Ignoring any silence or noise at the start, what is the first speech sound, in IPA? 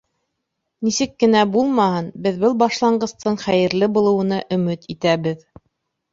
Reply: n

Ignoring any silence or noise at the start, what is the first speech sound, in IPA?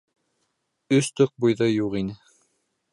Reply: ɵ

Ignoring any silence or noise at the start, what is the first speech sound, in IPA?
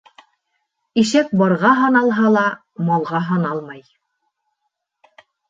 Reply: i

